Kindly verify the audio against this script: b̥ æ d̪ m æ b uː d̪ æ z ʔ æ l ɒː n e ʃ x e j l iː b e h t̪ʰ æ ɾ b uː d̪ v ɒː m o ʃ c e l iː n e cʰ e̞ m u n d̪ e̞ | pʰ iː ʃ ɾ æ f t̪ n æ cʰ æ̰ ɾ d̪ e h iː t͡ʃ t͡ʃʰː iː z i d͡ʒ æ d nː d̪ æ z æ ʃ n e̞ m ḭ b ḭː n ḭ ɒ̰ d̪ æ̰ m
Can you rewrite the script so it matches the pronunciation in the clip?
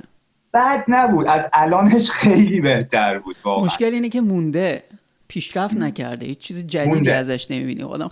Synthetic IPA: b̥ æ d̪ n æ b uː d̪ æ z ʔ æ l ɒː n e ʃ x e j l iː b e h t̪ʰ æ ɾ b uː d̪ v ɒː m o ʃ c e l iː n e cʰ e̞ m u n d̪ e̞ | pʰ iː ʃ ɾ æ f t̪ n æ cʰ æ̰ ɾ d̪ e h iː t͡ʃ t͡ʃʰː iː z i d͡ʒ æ d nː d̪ æ z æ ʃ n e̞ m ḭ b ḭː n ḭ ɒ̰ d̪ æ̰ m